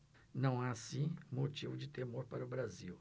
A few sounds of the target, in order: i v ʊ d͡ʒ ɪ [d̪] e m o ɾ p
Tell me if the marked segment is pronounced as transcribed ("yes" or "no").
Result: no